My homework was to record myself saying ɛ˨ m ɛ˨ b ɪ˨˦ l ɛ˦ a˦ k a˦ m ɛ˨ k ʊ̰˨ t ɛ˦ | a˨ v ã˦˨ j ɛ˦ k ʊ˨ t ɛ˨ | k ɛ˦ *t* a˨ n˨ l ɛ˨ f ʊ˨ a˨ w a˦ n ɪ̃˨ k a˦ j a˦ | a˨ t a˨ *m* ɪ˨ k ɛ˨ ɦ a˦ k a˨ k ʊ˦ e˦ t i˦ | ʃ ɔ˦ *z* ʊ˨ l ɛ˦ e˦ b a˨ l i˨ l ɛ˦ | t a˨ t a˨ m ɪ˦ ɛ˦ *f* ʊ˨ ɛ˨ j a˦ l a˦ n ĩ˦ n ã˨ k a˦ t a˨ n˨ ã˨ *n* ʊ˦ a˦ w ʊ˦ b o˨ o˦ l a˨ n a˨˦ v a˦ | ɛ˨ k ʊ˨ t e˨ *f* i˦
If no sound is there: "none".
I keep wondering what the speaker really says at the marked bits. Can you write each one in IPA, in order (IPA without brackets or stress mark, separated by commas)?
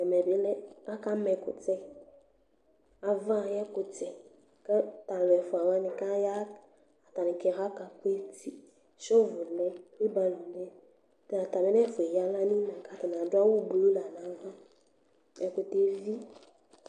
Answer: t, n, v, f, d, v